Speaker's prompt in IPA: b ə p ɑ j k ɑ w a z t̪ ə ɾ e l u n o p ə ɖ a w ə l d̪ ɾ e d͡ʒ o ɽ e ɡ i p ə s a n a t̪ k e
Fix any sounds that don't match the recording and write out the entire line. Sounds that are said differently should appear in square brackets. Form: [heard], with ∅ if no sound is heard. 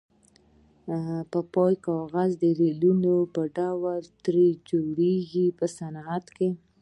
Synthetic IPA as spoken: [p] ə p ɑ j k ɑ [ɣ] a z [d̪] ə ɾ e l u n o p ə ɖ a w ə l [t̪] ɾ e d͡ʒ o ɽ e ɡ i p ə s a n a t̪ k e